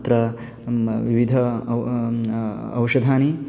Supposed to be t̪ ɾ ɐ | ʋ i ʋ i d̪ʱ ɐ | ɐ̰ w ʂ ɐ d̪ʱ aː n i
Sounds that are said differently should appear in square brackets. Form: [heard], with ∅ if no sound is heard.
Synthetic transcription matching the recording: t̪ ɾ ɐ | ʋ i ʋ i d̪ʱ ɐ | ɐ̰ w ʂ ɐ d̪ʱ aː n i